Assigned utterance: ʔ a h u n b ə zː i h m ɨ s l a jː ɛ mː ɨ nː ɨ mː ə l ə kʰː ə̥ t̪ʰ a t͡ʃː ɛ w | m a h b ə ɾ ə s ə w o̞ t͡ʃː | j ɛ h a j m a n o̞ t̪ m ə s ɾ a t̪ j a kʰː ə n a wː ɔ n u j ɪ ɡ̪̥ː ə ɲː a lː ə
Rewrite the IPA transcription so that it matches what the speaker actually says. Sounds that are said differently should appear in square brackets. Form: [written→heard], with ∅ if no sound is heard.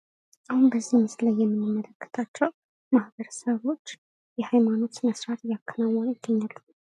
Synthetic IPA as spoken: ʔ a h u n b ə zː i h m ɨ s l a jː ɛ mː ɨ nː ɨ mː ə l ə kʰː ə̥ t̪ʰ a t͡ʃː ɛ w | m a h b ə ɾ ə s ə [w→β] o̞ t͡ʃː | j ɛ h a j m a n o̞ t̪ m ə s ɾ a t̪ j a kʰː ə n a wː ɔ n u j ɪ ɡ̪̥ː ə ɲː a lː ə